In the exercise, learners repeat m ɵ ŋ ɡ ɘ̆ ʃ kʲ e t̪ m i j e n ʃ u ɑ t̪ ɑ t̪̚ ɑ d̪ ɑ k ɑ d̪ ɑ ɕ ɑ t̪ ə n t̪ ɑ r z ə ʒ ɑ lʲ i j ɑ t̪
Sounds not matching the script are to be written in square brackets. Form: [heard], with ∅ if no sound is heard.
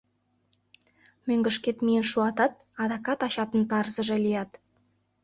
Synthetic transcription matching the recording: m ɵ ŋ ɡ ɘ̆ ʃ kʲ e t̪ m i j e n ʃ u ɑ t̪ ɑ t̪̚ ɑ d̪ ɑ k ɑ [t̪] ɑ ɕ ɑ t̪ ə n t̪ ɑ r z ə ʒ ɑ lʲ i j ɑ t̪